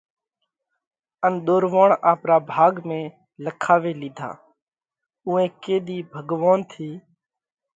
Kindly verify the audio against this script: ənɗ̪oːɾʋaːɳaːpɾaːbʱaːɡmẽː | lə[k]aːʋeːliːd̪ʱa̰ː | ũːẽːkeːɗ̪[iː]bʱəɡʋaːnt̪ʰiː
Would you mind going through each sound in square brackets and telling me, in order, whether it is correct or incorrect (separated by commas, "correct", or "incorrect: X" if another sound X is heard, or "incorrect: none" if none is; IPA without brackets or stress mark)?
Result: incorrect: kʰ, correct